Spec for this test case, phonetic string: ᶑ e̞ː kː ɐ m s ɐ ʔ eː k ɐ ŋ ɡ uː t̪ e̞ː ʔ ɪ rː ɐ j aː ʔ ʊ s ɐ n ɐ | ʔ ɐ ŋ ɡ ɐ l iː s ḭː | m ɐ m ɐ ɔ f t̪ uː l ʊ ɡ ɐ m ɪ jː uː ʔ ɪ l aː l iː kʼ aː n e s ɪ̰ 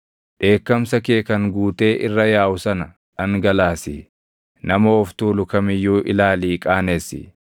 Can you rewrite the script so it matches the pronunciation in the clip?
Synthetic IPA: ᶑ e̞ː kː ɐ m s ɐ k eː k ɐ ŋ ɡ uː t̪ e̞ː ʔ ɪ rː ɐ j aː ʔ ʊ s ɐ n ɐ | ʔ ɐ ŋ ɡ ɐ l aː s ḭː | n ɐ m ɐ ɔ f t̪ uː l ʊ k ɐ m ɪ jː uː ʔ ɪ l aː l iː kʼ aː n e s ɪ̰